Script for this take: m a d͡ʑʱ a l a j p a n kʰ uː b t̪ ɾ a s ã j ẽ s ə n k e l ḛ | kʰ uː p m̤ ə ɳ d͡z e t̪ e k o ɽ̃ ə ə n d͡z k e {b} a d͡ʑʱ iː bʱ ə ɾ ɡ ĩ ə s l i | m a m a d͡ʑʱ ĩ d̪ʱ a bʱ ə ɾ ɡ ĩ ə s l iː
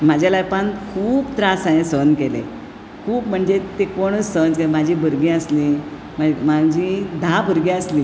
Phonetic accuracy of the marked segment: incorrect: m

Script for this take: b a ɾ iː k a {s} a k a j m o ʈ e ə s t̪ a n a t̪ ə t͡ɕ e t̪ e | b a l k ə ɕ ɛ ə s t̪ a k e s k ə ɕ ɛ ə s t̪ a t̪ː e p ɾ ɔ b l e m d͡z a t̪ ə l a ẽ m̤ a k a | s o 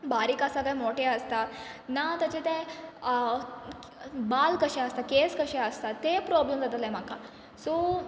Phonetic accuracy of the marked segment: correct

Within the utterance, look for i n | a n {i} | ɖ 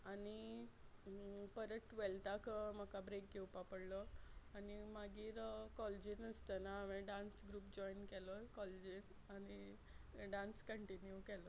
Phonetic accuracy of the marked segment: correct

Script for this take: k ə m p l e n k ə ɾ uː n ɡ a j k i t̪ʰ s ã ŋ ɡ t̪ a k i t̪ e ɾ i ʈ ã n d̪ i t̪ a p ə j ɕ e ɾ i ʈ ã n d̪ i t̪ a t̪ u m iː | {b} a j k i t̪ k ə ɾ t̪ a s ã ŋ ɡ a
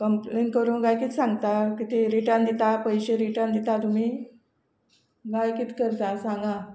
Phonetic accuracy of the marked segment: incorrect: ɡ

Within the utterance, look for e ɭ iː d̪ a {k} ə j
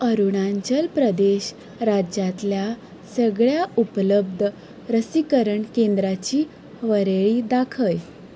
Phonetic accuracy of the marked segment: incorrect: kʰ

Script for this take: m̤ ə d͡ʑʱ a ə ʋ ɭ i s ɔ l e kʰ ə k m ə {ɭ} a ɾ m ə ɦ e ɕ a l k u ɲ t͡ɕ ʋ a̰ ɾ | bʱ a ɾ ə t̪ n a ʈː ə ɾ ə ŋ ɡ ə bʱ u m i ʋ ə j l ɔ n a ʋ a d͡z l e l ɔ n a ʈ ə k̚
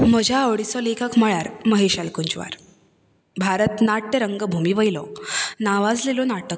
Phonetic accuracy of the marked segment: correct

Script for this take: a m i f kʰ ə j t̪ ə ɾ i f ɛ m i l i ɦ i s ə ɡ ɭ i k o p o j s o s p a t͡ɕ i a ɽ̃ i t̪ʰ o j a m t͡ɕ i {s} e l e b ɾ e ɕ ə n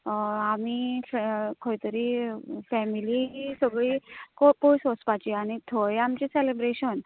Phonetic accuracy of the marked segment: correct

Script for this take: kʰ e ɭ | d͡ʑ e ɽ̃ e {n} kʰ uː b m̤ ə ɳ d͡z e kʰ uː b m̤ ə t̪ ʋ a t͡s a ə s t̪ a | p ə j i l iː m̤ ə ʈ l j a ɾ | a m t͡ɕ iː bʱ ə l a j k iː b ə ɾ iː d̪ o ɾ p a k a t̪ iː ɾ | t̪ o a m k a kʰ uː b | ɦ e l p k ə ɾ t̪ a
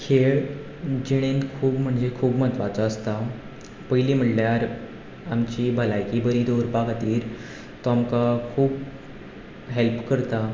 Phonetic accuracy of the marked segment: correct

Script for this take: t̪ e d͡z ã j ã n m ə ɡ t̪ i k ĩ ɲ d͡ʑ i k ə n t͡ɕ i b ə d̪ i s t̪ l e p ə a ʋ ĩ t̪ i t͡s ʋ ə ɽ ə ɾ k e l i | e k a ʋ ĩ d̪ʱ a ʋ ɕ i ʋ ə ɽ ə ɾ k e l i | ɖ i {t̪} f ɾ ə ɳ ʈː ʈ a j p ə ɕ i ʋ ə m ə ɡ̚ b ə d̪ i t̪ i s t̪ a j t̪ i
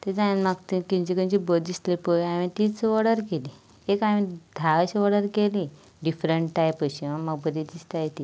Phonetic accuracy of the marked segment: incorrect: none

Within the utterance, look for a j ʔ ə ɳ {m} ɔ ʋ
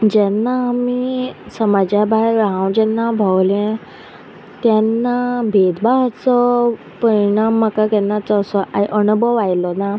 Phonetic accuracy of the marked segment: incorrect: b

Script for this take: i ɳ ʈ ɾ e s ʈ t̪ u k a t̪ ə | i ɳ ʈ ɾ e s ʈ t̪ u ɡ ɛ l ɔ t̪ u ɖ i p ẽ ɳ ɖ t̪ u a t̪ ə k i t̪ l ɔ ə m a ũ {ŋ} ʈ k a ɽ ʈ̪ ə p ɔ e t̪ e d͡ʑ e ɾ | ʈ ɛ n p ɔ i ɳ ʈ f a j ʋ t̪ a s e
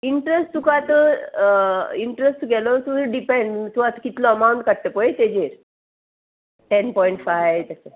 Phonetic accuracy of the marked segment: incorrect: ɳ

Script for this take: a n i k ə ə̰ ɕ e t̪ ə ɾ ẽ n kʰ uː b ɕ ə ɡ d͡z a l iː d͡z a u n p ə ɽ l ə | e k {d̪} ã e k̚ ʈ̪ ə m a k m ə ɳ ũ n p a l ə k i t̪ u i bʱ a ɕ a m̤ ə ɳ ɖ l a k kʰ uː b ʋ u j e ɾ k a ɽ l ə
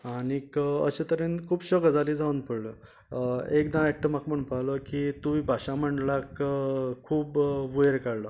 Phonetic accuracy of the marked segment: correct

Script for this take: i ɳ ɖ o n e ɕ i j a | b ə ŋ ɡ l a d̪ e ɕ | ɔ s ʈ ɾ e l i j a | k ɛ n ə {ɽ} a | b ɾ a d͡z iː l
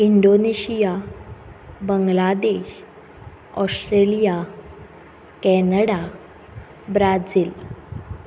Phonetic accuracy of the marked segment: correct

